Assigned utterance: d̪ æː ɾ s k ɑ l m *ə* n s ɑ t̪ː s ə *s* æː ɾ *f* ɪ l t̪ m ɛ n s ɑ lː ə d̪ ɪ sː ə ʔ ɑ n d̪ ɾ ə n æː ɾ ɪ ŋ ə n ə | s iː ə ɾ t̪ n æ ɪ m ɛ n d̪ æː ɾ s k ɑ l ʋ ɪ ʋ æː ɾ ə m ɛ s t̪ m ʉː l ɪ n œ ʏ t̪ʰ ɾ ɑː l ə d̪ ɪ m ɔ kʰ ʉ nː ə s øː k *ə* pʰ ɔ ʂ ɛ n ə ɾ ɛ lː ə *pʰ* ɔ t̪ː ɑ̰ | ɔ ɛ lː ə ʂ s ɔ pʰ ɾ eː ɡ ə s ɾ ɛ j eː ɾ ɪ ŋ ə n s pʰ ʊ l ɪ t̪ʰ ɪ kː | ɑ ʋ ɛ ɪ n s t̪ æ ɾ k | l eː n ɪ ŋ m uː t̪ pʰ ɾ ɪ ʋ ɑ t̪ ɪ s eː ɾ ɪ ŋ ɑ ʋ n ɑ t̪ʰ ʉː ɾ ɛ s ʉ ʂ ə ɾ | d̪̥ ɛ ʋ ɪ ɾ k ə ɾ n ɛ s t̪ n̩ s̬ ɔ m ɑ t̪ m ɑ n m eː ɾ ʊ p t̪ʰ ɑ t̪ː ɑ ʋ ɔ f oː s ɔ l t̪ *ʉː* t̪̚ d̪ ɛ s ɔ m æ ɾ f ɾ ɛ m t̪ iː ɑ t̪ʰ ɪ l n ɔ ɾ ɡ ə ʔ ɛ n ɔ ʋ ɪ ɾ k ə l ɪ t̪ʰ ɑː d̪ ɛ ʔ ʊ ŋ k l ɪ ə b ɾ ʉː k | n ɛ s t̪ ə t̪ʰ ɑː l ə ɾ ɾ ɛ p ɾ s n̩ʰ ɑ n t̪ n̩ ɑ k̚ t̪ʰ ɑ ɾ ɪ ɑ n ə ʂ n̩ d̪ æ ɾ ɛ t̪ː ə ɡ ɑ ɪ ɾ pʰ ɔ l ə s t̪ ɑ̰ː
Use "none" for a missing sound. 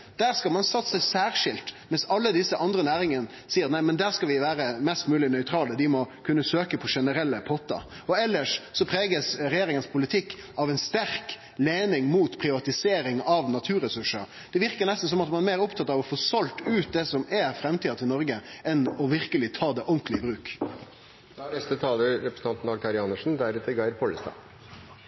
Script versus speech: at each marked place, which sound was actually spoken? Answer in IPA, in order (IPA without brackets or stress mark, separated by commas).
ɑ, s, ʂ, ə, pʰ, ʉː